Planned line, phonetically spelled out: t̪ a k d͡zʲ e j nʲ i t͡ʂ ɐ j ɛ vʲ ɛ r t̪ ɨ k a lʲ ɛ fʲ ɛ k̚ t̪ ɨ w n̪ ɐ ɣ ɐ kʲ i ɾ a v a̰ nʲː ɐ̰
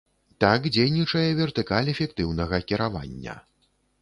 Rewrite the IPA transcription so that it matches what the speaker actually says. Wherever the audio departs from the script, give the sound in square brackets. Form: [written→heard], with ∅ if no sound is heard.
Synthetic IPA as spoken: t̪ a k d͡zʲ e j nʲ i t͡ʂ ɐ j ɛ vʲ ɛ r t̪ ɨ k a lʲ ɛ fʲ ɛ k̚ t̪ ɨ w n̪ ɐ ɣ ɐ kʲ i ɾ a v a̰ nʲː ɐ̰